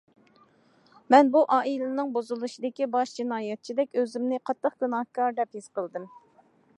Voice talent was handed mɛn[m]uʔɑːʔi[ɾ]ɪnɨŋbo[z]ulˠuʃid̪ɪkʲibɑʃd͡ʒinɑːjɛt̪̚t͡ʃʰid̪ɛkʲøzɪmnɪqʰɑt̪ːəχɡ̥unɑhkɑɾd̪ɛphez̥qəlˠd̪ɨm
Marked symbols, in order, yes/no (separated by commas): no, no, yes